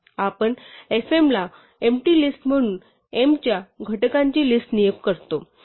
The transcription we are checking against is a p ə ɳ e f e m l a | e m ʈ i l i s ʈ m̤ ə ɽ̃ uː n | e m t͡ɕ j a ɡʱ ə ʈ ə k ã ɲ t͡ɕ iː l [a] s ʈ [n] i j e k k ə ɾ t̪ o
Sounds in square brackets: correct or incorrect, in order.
incorrect: i, correct

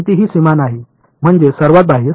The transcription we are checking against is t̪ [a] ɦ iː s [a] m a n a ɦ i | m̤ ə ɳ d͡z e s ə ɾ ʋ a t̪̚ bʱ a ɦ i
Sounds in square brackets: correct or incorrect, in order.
incorrect: i, incorrect: i

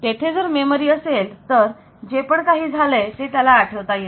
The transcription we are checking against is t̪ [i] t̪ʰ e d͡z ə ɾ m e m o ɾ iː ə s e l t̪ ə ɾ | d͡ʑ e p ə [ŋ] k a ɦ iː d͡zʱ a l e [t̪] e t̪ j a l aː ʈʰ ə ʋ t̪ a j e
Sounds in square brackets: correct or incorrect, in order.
incorrect: e, incorrect: ɳ, correct

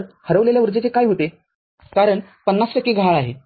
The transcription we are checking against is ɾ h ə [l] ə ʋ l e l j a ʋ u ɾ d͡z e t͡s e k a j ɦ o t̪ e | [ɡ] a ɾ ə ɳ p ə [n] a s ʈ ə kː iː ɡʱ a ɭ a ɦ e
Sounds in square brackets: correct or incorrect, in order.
incorrect: ɾ, incorrect: k, incorrect: nː

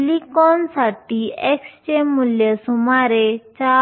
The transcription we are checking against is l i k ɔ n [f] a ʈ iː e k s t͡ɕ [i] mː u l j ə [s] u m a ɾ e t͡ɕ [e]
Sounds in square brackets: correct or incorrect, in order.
incorrect: s, incorrect: e, correct, incorrect: a

